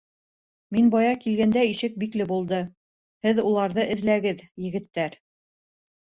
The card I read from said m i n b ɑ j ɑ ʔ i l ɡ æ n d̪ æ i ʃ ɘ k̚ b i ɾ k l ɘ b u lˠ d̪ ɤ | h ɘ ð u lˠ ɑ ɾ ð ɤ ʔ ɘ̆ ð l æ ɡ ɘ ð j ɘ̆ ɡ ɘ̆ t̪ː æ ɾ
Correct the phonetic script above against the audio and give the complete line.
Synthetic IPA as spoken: m i n b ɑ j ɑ k i l ɡ æ n d̪ æ i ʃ ɘ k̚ b i k l ɘ b u lˠ d̪ ɤ | h ɘ ð u lˠ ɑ ɾ ð ɤ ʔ ɘ̆ ð l æ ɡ ɘ ð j ɘ̆ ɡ ɘ̆ t̪ː æ ɾ